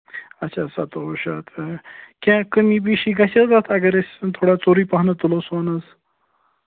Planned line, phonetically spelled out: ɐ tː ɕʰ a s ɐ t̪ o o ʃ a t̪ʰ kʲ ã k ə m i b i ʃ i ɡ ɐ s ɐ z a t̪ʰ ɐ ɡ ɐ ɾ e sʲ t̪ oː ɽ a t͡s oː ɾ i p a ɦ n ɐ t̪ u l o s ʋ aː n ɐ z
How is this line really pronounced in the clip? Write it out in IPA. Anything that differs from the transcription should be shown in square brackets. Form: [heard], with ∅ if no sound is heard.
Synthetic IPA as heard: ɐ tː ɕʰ a s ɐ t̪ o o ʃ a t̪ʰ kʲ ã k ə m i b i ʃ i ɡ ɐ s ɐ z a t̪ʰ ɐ ɡ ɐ ɾ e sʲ [t̪ʰ] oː ɽ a t͡s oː ɾ i p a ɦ n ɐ t̪ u l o s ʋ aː n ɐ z